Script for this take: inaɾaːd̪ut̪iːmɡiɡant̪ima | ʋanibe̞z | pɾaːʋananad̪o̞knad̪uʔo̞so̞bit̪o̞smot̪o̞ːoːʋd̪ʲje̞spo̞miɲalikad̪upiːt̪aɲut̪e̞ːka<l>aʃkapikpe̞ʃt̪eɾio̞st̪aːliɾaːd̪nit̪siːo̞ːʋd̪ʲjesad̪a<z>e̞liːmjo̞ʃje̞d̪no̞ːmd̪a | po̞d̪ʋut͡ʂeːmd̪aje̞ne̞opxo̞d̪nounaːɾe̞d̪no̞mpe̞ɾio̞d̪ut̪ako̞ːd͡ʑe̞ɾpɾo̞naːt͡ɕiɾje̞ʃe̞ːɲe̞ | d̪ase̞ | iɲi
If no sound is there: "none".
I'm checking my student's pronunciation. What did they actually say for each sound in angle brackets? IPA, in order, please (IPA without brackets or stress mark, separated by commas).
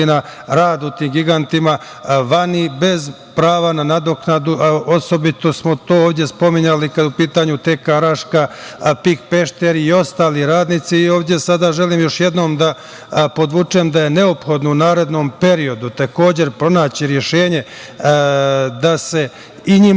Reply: ɾ, ʒ